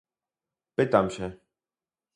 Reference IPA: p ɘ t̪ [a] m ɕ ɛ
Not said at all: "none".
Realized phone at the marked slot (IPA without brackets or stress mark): a